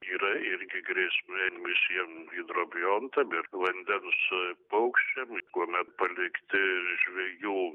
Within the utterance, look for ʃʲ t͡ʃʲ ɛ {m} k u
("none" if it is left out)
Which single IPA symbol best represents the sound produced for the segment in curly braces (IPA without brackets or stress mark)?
m